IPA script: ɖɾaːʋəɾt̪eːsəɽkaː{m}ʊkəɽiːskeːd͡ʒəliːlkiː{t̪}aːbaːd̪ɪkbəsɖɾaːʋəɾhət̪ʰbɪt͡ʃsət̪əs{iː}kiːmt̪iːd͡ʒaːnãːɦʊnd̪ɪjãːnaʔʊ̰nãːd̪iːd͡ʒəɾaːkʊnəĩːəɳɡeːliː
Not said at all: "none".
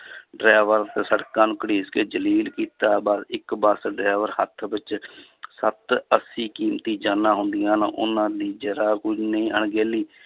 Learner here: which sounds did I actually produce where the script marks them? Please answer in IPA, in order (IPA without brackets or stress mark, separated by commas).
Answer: n, t̪, iː